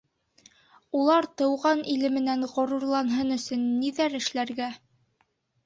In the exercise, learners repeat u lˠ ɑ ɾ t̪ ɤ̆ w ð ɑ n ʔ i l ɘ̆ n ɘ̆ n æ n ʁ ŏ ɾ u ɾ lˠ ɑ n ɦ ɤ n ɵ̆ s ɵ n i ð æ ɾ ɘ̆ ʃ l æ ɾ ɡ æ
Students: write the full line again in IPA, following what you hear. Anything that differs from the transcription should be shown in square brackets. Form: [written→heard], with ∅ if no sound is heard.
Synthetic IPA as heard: u lˠ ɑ ɾ t̪ ɤ̆ w [ð→ʁ] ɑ n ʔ i l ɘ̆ [n→m] ɘ̆ n æ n ʁ ŏ ɾ u ɾ lˠ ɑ n ɦ ɤ n ɵ̆ s ɵ [n→nː] i ð æ ɾ ɘ̆ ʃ l æ ɾ ɡ æ